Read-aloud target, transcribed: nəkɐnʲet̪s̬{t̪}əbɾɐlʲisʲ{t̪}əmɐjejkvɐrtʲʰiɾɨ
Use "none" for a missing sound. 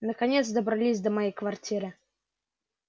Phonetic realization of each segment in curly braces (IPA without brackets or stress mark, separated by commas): d̪, d̪